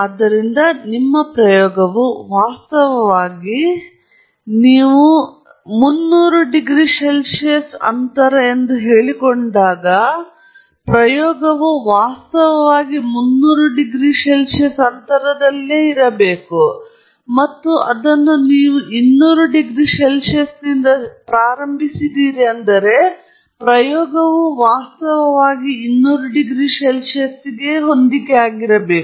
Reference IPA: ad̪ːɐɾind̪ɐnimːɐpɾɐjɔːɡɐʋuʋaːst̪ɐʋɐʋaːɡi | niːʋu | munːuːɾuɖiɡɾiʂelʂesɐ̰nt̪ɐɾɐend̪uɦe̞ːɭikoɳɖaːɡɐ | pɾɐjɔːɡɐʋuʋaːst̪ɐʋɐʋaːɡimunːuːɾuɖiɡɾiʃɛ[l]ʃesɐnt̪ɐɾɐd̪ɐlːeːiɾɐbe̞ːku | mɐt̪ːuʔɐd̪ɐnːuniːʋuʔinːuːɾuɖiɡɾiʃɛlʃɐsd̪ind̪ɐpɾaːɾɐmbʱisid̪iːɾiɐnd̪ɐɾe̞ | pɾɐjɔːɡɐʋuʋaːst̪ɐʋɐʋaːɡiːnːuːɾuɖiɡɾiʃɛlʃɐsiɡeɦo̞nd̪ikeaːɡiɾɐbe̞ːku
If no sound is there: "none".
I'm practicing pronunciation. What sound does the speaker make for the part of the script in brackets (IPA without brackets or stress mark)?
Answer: l